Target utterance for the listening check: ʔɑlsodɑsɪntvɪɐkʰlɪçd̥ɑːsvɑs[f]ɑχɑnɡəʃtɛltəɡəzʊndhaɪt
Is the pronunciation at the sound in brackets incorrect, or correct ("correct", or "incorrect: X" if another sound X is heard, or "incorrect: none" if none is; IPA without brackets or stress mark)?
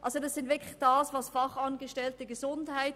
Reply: correct